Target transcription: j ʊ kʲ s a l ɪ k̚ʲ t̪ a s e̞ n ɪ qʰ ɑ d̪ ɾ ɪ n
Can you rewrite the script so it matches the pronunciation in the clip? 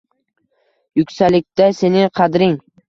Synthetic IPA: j ʊ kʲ s a l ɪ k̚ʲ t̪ a s e̞ n ɪ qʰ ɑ d̪ ɾ ɪ ŋ